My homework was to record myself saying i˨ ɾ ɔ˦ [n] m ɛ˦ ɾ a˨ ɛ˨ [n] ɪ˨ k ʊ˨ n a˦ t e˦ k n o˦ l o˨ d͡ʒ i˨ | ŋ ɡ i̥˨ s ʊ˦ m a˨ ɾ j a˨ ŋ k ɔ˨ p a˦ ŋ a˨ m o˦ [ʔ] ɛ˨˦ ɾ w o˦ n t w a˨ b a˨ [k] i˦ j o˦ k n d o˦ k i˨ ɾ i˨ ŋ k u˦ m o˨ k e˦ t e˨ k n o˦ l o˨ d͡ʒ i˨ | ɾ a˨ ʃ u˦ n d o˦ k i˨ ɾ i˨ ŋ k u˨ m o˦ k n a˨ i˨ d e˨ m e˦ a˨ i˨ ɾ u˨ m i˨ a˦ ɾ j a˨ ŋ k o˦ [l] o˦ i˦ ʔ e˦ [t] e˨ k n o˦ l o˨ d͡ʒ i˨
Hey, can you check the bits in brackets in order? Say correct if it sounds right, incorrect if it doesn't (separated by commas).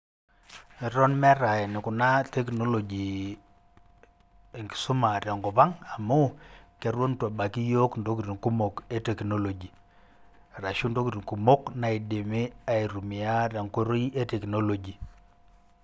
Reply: correct, correct, incorrect, correct, incorrect, correct